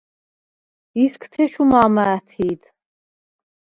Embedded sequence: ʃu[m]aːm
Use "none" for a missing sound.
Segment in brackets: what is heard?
m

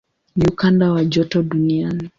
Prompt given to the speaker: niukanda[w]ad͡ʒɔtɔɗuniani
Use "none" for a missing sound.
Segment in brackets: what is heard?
w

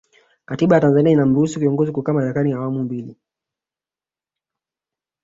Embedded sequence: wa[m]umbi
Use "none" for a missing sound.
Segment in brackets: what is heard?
m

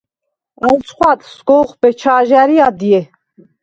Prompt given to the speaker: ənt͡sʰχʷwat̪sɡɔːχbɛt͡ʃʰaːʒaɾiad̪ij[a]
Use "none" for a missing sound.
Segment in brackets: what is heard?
ɛ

